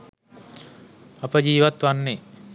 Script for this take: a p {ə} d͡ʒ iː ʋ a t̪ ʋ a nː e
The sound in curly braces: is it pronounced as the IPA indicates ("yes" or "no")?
yes